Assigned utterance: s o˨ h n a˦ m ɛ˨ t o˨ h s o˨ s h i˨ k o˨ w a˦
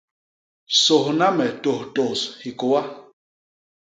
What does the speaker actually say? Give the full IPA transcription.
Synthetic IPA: s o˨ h n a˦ m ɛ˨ t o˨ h t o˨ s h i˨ k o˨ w a˦